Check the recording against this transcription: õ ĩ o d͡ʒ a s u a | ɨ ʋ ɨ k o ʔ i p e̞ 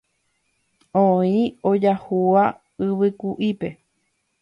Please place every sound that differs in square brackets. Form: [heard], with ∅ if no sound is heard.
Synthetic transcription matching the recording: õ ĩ o d͡ʒ a [h] u a | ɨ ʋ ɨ k [u] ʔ i p e̞